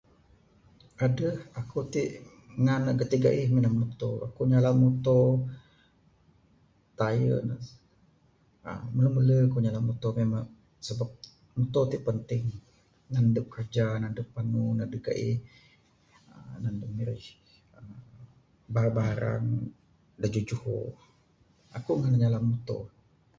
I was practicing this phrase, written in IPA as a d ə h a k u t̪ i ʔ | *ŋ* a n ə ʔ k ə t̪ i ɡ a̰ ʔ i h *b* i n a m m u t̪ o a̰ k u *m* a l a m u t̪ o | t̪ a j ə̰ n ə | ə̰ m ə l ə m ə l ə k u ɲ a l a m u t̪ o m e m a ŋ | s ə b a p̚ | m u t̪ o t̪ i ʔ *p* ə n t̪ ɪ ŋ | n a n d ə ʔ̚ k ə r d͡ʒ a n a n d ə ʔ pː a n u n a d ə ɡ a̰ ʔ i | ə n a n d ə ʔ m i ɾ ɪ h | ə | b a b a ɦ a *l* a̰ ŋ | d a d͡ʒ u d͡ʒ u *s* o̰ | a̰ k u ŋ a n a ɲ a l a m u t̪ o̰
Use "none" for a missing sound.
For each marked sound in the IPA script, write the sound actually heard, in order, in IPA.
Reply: ŋ, m, ɲ, p, ɾ, h

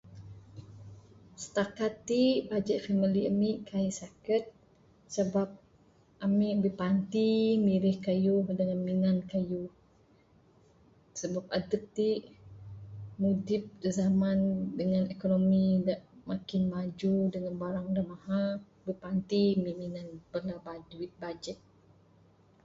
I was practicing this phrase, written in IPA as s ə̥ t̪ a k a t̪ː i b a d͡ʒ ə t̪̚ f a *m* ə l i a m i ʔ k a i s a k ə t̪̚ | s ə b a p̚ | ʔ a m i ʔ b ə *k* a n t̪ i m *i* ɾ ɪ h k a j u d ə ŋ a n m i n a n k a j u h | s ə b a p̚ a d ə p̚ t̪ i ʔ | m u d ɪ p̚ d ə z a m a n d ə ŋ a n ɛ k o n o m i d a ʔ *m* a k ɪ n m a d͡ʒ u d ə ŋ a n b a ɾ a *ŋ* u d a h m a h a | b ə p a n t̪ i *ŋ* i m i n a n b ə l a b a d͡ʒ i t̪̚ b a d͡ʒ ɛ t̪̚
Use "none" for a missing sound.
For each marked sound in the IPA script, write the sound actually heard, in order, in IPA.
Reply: m, p, i, m, ŋ, m

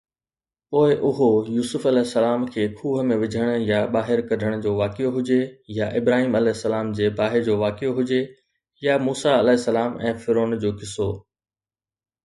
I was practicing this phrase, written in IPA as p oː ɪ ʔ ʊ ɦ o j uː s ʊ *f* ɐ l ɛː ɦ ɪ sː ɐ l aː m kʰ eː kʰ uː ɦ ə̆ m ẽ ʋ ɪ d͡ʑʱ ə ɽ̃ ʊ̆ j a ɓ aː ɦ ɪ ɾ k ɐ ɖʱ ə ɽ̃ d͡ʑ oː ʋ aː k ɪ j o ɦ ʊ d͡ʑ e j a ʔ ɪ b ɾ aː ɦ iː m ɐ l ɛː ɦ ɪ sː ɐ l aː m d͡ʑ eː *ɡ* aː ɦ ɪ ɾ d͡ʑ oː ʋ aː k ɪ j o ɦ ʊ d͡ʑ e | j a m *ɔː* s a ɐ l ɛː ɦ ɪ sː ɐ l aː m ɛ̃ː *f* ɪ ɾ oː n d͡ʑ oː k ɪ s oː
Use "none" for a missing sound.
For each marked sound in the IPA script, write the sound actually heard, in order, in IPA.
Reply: f, b, uː, f

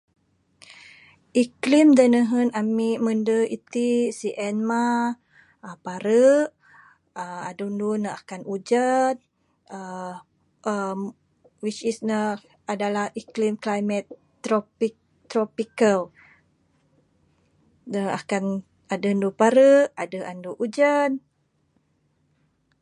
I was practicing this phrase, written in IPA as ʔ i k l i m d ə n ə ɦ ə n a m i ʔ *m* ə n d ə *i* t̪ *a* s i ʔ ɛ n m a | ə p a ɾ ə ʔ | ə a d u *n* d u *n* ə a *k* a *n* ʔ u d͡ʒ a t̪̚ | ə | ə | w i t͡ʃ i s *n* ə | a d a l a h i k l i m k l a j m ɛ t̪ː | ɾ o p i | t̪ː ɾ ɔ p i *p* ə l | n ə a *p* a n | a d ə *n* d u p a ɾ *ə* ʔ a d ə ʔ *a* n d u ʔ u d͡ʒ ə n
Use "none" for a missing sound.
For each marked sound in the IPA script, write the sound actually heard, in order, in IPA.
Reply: m, i, i, n, n, k, n, n, k, k, n, ə, a

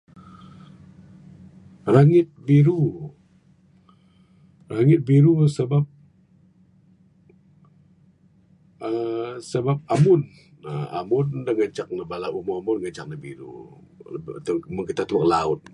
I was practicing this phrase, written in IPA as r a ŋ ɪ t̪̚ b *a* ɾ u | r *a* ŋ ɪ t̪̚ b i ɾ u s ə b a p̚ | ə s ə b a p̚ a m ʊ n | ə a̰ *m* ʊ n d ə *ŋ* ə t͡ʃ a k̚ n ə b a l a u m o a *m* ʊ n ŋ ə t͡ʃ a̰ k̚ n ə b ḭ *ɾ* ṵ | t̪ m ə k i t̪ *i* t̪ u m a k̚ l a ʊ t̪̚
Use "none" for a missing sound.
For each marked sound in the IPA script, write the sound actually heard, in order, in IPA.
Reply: i, a, m, ŋ, m, ɾ, a

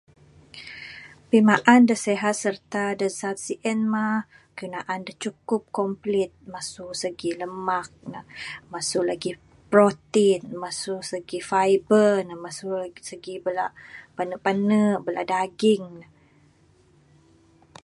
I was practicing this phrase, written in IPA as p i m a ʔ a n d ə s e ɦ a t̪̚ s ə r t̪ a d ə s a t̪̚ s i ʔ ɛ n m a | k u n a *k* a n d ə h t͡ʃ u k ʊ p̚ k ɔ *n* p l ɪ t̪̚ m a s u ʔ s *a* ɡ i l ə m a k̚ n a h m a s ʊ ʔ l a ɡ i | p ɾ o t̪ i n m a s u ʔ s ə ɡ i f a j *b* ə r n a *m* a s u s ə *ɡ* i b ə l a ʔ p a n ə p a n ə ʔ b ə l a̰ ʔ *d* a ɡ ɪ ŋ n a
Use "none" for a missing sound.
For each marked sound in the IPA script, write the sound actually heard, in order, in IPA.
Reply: ʔ, m, ə, b, m, ɡ, d

